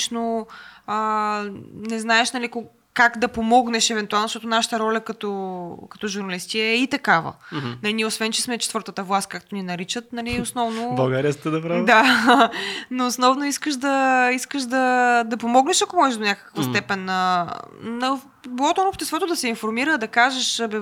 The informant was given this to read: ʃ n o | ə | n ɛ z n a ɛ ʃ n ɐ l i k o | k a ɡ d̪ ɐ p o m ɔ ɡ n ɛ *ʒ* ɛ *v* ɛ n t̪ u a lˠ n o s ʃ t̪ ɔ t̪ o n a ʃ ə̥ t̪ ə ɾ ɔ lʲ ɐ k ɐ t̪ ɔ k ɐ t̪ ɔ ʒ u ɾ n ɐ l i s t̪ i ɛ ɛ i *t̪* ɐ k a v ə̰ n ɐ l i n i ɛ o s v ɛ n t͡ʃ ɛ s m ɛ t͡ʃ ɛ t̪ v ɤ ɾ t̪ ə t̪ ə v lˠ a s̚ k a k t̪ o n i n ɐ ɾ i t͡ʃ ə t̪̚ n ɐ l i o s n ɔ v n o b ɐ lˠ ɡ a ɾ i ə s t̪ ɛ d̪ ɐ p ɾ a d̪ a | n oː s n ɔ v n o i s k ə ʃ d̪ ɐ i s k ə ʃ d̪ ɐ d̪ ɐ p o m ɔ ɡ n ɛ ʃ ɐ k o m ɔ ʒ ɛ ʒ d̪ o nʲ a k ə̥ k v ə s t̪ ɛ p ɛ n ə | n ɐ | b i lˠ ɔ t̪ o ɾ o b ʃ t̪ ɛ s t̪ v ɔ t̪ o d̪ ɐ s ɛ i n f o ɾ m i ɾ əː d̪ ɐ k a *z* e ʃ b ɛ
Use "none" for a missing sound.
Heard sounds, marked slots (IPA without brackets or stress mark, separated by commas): ʃ, v, t̪, ʒ